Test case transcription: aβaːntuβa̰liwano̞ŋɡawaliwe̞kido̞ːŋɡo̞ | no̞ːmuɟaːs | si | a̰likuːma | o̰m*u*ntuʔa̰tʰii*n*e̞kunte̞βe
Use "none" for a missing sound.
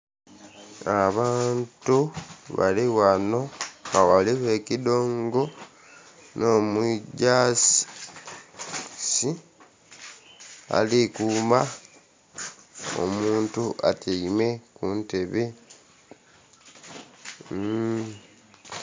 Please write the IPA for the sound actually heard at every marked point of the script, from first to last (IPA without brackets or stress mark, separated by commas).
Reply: uː, m